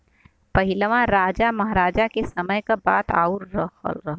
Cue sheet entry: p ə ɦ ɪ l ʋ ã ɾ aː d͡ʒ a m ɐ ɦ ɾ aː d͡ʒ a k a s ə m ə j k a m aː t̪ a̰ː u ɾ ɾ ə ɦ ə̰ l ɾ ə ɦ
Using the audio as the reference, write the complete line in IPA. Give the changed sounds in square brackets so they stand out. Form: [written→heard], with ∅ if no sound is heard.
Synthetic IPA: p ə ɦ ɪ l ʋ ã ɾ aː d͡ʒ a m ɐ ɦ ɾ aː d͡ʒ a k [a→e] s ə m ə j k a [m→b] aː t̪ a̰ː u ɾ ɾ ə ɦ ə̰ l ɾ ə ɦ